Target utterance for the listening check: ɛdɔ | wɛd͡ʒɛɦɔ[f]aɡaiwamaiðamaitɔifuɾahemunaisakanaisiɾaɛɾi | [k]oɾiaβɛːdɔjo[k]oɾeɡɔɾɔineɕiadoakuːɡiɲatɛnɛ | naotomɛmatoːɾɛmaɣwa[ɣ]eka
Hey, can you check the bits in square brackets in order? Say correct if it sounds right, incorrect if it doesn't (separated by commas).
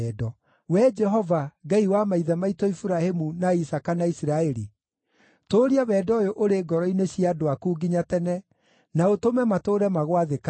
incorrect, incorrect, incorrect, incorrect